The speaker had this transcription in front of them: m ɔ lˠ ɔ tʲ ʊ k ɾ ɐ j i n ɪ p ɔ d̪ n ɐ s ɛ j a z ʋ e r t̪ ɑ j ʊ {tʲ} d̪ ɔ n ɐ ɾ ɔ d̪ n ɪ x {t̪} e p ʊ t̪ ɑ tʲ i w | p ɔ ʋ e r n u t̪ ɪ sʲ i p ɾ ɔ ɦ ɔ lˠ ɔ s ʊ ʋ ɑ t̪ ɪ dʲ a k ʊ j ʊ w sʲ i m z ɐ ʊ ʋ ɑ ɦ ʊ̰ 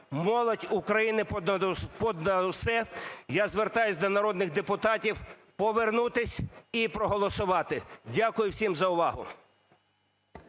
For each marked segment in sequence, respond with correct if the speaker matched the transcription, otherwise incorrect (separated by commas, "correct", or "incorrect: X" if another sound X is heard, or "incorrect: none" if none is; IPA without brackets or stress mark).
incorrect: sʲ, incorrect: d̪